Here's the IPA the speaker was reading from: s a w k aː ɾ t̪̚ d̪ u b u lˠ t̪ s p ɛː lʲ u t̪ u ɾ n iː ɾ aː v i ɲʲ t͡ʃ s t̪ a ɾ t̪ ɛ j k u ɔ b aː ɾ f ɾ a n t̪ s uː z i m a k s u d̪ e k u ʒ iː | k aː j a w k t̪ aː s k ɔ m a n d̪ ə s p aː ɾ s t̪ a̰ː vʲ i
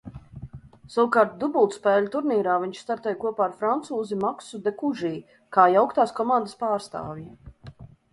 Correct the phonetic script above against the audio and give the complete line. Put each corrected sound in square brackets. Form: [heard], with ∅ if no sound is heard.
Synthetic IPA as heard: s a w k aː ɾ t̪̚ d̪ u b u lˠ t̪ s p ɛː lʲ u t̪ u ɾ n iː ɾ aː v i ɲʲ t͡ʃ s t̪ a ɾ t̪ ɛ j k u ɔ [p] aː ɾ f ɾ a n t̪ s uː z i m a k s u d̪ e k u ʒ iː | k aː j a w k t̪ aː s k ɔ m a n d̪ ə s p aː ɾ s t̪ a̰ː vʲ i